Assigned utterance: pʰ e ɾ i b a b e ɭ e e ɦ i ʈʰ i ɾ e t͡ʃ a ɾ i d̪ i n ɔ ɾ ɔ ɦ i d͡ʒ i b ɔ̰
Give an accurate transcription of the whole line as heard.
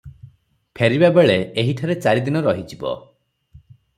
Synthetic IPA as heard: pʰ e ɾ i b a b e ɭ e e ɦ i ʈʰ a ɾ e t͡ʃ a ɾ i d̪ i n ɔ ɾ ɔ ɦ i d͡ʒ i b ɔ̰

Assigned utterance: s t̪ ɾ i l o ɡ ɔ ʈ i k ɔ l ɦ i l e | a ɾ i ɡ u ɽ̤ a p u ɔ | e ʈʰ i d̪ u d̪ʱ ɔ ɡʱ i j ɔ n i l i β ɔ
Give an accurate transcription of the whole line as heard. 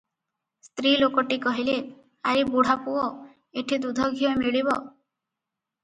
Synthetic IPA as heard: s t̪ ɾ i l o k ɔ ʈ i k ɔ ɦ i l e | a ɾ i b u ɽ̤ a p u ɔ | e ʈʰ i d̪ u d̪ʱ ɔ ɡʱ i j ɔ m i ɭ i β ɔ

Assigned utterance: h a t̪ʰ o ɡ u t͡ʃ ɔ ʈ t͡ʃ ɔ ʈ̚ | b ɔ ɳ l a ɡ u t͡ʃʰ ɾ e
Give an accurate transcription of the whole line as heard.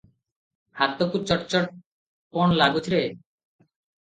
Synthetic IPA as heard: h a t̪ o k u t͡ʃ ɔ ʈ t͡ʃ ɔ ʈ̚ | p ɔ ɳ l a ɡ u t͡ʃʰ ɾ e

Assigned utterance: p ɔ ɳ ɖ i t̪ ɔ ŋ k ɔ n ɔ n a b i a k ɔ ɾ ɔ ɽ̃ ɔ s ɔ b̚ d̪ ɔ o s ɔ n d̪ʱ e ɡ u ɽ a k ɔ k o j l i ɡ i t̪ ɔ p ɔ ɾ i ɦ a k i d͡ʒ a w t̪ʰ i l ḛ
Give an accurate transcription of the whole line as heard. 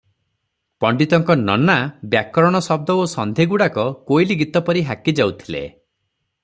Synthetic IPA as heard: p ɔ ɳ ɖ i t̪ ɔ ŋ k ɔ n ɔ n a b j a k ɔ ɾ ɔ ɽ̃ ɔ s ɔ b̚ d̪ ɔ o s ɔ n d̪ʱ e ɡ u ɽ a k ɔ k o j l i ɡ i t̪ ɔ p ɔ ɾ i ɦ a k i d͡ʒ a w t̪ʰ i l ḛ

